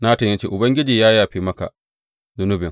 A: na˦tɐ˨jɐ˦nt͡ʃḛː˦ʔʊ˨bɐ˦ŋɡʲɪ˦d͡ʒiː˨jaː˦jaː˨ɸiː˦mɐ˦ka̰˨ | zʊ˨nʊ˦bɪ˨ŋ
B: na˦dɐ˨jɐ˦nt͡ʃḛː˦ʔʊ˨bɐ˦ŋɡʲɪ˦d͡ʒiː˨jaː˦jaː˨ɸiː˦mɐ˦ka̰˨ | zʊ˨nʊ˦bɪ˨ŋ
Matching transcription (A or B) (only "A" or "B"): A